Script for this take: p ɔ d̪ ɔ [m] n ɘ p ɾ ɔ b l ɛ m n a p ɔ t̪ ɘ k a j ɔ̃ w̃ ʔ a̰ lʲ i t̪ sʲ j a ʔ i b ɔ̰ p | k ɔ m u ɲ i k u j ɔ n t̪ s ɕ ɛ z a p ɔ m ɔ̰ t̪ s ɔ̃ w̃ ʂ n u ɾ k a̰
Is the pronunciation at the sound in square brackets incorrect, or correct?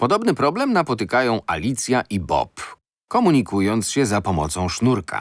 incorrect